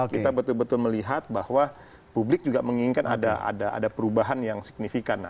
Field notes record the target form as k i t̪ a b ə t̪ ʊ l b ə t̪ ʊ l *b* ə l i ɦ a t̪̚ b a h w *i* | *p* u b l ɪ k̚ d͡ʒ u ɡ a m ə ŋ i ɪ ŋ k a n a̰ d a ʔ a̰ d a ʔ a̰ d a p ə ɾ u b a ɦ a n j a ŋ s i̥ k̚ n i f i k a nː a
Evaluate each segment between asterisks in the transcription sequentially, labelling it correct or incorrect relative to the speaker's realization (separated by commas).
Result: incorrect, incorrect, correct